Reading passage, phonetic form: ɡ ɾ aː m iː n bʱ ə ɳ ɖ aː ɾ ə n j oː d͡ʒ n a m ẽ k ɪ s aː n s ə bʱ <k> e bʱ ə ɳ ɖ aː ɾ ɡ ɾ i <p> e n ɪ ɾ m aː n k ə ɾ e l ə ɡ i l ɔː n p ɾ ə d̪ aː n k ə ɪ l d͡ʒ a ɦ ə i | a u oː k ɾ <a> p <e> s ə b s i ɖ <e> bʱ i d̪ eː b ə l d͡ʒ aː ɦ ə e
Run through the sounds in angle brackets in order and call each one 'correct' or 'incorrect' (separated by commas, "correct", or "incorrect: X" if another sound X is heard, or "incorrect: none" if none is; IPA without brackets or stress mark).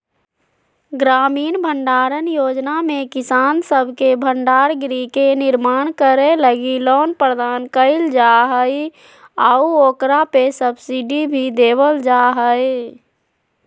correct, incorrect: k, correct, correct, incorrect: i